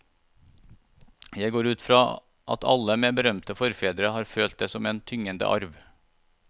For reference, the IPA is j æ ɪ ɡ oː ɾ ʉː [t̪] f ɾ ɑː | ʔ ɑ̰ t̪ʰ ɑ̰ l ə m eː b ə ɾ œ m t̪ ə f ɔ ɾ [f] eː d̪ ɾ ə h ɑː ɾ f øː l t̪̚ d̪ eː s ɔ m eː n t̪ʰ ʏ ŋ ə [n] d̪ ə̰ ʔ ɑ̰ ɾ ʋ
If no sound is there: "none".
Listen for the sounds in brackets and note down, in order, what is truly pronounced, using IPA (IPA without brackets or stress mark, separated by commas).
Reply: t̪, f, n